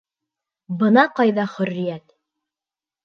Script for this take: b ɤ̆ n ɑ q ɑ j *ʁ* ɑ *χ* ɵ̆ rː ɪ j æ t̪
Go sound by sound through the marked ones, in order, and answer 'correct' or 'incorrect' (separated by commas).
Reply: incorrect, correct